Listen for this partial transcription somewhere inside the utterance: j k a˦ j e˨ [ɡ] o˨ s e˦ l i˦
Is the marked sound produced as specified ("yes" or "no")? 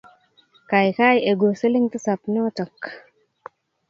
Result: yes